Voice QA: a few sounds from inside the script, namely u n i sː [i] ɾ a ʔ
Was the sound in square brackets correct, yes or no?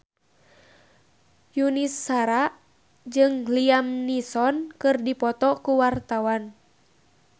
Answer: no